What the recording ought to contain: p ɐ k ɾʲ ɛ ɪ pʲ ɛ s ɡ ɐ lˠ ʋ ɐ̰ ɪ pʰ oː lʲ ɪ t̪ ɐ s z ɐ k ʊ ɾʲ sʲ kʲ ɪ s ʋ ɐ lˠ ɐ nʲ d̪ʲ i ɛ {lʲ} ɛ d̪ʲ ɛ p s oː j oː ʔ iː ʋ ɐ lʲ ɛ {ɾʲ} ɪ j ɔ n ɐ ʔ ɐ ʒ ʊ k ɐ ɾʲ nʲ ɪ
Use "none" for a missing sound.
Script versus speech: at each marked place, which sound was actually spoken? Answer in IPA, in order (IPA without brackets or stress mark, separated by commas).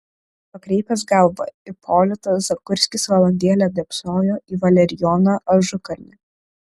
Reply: lʲ, ɾʲ